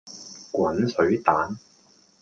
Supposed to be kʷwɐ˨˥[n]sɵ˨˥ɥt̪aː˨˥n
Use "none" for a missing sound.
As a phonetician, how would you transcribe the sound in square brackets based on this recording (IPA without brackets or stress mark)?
n